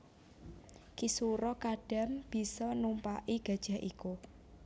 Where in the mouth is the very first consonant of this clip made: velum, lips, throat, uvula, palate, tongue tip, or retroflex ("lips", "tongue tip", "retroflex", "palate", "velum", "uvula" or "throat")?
velum